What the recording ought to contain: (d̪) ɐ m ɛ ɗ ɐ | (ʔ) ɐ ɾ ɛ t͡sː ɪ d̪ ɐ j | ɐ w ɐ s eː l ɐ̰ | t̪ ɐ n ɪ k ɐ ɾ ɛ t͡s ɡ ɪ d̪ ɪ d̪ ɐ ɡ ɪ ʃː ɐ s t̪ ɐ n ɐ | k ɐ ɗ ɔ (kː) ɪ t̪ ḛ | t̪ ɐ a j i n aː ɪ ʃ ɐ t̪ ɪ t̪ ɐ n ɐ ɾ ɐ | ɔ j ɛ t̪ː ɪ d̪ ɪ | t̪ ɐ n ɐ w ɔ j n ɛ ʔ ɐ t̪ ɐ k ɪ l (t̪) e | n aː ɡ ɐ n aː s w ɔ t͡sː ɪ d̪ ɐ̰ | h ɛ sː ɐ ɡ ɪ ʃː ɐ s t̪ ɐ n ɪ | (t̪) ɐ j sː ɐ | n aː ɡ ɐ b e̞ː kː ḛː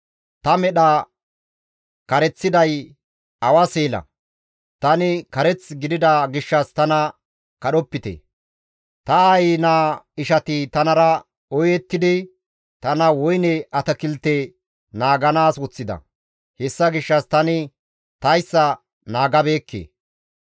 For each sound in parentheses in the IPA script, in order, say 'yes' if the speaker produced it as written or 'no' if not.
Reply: no, no, no, yes, yes

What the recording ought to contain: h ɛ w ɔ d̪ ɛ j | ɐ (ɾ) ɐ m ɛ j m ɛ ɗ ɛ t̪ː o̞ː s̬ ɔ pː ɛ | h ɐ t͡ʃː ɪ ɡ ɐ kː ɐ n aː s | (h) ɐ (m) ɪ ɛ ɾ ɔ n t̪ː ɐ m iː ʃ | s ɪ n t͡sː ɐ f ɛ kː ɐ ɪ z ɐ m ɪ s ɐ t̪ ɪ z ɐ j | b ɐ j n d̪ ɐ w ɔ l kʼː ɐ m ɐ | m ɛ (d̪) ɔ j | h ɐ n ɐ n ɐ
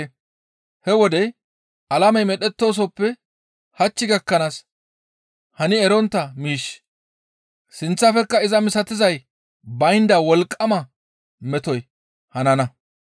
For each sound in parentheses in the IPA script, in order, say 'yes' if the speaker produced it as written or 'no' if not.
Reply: no, yes, no, no

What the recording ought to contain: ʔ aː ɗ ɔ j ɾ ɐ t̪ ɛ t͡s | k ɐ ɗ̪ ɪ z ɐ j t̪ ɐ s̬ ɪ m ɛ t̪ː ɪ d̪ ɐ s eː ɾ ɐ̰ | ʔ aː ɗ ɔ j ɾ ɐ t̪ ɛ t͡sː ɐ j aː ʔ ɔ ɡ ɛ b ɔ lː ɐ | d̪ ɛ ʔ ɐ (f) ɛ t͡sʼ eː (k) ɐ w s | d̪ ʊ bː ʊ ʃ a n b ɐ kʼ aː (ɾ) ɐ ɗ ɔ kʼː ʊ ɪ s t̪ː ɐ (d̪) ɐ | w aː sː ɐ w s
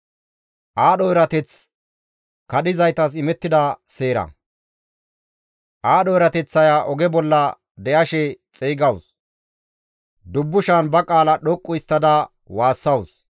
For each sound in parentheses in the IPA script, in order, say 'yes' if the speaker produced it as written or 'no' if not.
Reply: no, no, no, yes

